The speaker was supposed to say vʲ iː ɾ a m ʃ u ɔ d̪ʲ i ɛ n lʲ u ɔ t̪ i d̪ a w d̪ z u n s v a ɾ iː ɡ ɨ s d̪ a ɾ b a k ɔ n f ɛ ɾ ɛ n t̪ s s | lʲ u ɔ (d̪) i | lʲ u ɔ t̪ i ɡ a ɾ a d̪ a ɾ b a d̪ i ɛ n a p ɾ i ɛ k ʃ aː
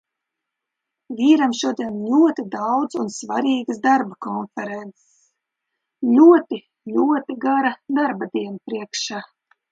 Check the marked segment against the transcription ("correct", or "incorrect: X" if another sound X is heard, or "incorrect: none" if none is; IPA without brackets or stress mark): incorrect: t̪